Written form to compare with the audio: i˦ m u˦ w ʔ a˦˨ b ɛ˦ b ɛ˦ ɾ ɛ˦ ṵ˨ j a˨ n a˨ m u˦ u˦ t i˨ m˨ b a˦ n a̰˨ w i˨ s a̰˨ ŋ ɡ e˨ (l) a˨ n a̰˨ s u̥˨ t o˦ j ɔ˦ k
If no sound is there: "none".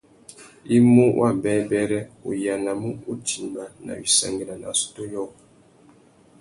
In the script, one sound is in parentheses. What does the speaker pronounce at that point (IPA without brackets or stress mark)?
l